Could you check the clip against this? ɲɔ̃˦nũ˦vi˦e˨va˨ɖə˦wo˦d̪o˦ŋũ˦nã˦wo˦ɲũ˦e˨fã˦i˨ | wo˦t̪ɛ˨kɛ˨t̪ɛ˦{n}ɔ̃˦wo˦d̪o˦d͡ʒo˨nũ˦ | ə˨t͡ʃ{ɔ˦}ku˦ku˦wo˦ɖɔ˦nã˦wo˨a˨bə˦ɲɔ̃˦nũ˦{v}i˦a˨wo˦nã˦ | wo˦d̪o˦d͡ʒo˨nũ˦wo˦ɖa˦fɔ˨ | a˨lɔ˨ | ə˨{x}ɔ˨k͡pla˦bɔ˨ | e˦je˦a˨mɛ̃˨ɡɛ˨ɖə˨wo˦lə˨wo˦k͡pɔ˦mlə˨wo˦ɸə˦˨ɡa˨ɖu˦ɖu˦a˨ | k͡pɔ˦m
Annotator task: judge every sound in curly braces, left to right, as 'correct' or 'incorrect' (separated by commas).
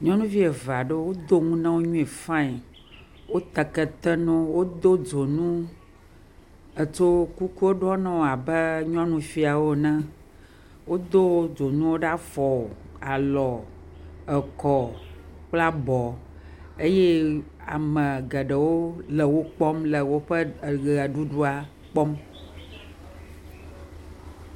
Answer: correct, incorrect, incorrect, incorrect